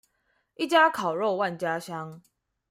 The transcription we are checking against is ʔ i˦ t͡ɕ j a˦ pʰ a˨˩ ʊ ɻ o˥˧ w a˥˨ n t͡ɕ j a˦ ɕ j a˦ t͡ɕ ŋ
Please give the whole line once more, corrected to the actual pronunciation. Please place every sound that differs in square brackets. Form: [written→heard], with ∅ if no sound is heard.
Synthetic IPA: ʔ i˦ t͡ɕ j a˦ [pʰ→kʰ] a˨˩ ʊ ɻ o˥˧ w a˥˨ n t͡ɕ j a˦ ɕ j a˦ [t͡ɕ→∅] ŋ